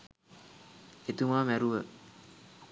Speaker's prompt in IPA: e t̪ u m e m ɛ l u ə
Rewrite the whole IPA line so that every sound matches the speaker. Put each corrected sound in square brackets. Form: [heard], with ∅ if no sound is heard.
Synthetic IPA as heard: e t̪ u m [a] m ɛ [ɾ] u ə